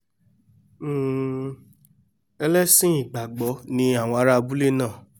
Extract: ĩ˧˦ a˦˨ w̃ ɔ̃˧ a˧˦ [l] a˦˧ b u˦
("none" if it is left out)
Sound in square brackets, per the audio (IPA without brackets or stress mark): ɾ